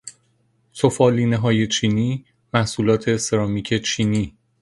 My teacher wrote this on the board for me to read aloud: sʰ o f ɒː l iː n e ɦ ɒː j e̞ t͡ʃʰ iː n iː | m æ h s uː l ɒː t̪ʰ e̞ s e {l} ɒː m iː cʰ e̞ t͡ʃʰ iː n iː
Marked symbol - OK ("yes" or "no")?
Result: no